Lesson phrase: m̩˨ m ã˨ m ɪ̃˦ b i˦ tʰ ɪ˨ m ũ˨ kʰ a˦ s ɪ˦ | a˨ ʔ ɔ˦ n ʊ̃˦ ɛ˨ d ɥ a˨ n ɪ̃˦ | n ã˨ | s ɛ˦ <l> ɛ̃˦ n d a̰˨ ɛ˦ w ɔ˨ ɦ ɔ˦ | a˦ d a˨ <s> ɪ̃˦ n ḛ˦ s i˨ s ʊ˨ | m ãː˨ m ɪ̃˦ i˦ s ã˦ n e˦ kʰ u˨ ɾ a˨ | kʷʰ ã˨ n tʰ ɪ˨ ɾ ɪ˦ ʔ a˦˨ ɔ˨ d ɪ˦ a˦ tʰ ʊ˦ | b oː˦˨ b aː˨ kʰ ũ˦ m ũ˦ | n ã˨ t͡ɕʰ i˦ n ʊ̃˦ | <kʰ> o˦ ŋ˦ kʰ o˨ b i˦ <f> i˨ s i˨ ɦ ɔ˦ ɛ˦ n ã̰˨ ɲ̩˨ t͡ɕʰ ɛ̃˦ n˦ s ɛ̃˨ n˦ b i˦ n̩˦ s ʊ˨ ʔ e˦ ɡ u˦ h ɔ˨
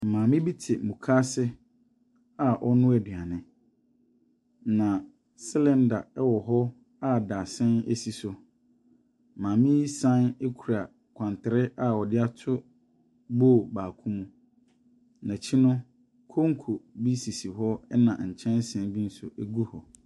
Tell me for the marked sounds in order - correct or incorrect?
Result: correct, correct, correct, incorrect: s

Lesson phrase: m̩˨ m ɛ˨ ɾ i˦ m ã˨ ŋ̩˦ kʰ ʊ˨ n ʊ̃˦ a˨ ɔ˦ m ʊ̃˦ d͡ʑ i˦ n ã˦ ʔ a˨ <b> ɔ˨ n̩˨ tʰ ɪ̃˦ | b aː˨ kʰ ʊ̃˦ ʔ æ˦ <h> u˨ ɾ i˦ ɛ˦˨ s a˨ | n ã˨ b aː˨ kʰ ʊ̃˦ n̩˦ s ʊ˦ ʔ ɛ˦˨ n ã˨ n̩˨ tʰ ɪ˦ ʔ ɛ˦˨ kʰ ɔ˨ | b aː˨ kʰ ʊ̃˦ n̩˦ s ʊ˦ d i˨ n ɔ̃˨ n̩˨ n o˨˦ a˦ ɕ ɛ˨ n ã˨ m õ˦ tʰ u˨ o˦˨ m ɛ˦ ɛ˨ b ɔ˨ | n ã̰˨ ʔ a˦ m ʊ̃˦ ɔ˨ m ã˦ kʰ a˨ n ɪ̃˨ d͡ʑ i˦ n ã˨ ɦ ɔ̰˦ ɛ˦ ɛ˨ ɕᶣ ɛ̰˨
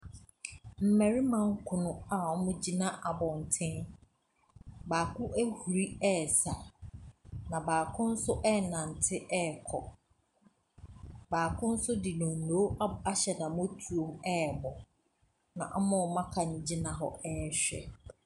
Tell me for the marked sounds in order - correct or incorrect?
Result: correct, correct

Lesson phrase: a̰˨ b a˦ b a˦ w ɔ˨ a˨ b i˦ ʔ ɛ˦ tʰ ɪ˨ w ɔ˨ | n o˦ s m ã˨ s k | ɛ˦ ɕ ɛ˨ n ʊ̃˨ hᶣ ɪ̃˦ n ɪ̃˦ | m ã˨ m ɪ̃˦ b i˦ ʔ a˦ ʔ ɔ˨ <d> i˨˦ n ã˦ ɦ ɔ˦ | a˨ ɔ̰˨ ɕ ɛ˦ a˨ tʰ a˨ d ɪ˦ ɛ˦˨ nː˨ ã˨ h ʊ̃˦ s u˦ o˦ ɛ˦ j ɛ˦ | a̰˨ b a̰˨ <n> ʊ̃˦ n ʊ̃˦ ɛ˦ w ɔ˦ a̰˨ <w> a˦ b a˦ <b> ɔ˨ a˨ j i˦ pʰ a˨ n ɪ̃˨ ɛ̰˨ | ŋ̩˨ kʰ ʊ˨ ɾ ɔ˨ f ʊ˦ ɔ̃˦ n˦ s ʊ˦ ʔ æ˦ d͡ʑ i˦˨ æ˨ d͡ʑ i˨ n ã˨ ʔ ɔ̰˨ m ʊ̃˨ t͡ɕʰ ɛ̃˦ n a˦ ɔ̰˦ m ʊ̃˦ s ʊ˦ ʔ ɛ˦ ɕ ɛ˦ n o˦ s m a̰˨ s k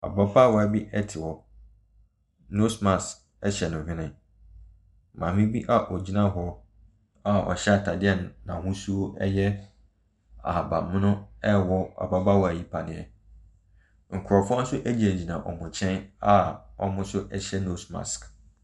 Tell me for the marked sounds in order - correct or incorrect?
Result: incorrect: d͡ʑ, incorrect: m, incorrect: b, incorrect: w

